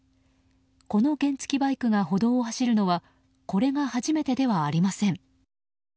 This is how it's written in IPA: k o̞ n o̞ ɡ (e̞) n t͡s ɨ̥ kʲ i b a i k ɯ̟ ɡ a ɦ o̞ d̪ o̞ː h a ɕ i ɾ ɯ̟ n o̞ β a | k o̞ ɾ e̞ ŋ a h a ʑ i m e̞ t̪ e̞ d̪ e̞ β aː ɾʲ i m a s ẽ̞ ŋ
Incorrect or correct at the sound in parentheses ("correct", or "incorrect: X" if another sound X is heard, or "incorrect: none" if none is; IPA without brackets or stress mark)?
incorrect: ẽ̞